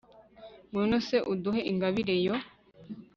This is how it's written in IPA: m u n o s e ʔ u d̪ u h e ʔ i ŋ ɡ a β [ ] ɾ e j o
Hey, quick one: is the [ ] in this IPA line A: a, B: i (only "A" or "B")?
B